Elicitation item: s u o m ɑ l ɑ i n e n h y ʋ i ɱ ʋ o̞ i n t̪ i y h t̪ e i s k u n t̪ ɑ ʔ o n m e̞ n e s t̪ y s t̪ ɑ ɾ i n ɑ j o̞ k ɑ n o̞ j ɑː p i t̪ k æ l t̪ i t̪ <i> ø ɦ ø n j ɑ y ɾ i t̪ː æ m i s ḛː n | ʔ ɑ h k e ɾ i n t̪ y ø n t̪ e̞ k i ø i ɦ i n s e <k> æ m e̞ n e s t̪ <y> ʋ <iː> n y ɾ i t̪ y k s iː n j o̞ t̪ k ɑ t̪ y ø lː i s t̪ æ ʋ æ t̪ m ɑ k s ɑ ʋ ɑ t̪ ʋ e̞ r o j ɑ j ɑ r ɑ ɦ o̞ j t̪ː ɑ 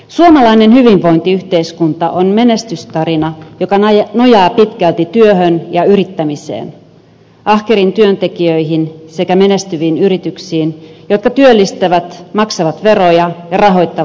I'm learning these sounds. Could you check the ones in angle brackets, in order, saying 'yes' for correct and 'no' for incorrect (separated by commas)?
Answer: no, yes, yes, yes